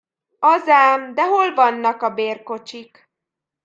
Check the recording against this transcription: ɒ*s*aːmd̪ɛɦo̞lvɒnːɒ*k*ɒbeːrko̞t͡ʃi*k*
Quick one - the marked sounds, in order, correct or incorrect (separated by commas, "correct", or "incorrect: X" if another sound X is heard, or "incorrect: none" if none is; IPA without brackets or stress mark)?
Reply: incorrect: z, correct, correct